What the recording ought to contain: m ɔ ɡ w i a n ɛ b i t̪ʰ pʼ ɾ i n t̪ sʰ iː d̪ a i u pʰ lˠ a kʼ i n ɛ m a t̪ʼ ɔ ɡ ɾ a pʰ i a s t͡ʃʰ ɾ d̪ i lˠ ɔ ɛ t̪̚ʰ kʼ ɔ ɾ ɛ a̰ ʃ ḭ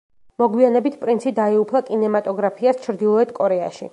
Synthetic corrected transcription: m ɔ ɡ w i a n ɛ b i t̪ʰ pʼ ɾ i n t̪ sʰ i d̪ a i u pʰ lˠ a kʼ i n ɛ m a t̪ʼ ɔ ɡ ɾ a pʰ i a s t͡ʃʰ ɾ d̪ i lˠ ɔ ɛ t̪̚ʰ kʼ ɔ ɾ ɛ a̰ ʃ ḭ